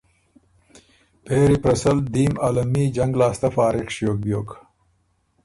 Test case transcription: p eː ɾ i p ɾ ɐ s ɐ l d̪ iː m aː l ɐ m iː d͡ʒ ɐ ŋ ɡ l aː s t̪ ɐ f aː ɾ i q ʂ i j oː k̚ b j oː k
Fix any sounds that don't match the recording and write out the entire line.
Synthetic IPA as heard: p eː ɾ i p ɾ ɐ s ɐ l d̪ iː m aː l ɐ m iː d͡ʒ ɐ ŋ ɡ l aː s t̪ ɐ f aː ɾ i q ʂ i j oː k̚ b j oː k